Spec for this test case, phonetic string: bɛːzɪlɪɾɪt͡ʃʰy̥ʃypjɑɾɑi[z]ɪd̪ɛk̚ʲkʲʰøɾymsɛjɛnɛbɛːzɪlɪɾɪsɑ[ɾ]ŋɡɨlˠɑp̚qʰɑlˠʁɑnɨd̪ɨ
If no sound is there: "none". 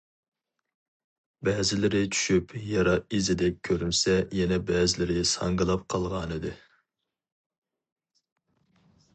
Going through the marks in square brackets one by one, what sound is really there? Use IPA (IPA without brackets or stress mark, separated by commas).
z, none